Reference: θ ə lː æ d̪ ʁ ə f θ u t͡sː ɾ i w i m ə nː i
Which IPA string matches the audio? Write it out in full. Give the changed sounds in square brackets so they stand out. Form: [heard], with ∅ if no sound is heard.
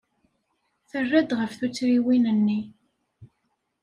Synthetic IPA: θ ə [rː] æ d̪ ʁ ə f θ u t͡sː ɾ i w i [n] ə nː i